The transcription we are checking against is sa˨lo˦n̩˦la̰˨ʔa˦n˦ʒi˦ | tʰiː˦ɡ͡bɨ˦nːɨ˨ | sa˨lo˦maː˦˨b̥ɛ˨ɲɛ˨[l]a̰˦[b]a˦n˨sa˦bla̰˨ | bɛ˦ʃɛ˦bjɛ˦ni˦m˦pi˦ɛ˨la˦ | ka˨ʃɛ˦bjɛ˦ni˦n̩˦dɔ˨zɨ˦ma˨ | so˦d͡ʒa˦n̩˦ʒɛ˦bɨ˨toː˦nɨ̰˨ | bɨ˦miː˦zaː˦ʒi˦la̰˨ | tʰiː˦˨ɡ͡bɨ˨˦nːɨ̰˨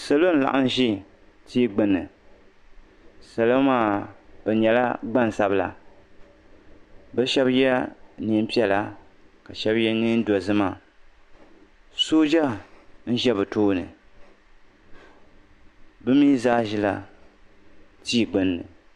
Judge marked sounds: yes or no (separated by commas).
yes, no